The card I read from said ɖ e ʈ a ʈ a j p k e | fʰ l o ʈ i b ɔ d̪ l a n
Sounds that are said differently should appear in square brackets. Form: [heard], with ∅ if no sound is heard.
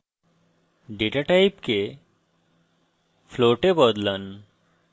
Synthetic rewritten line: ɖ e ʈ a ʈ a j p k e | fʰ l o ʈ [e] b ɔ d̪ l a n